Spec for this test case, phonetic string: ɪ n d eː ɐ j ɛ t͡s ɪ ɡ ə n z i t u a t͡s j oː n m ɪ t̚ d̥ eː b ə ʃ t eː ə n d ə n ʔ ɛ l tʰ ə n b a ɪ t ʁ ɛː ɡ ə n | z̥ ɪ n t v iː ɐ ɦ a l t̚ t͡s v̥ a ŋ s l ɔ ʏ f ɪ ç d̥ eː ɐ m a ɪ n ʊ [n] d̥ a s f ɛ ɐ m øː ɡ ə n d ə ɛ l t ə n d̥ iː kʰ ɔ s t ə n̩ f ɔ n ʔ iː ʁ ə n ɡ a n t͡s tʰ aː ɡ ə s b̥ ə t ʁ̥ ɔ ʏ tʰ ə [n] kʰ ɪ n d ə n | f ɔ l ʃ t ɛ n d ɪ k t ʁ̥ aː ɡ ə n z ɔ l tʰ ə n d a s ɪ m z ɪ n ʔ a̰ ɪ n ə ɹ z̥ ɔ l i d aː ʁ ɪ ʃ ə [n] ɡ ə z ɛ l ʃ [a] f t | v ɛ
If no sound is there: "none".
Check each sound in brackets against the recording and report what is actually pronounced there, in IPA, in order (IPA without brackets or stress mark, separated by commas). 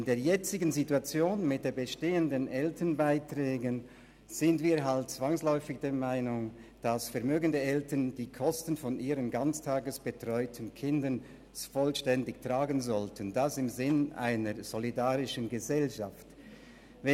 ŋ, n, n, a